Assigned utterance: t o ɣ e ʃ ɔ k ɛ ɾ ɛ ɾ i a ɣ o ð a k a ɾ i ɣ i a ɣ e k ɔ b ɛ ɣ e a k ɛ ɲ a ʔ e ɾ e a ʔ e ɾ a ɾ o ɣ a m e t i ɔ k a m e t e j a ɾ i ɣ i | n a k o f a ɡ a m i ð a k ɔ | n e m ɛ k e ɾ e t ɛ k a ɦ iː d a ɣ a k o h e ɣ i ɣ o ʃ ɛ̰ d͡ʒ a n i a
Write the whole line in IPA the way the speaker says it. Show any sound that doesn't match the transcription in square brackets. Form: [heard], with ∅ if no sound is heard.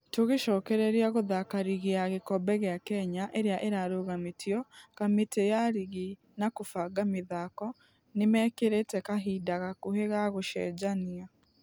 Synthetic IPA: t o ɣ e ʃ ɔ k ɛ ɾ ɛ ɾ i a ɣ o ð a k a ɾ i ɣ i a ɣ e k ɔ b ɛ ɣ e a k ɛ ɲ a ʔ e ɾ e a ʔ e ɾ a ɾ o ɣ a m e t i ɔ k a m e t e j a ɾ i ɣ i | n a k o f a ɡ a m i ð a k ɔ | n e m ɛ k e ɾ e t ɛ k a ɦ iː d a ɣ a k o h e ɣ [a] ɣ o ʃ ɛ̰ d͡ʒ a n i a